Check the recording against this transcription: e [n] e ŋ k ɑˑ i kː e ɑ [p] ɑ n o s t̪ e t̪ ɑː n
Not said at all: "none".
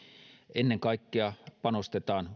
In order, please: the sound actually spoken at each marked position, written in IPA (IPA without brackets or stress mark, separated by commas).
nː, p